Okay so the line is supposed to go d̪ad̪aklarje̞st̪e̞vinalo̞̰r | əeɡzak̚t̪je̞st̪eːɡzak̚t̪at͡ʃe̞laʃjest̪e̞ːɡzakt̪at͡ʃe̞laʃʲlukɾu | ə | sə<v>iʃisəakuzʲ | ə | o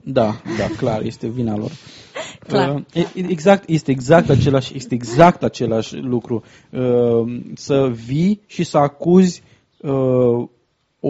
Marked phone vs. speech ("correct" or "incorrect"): correct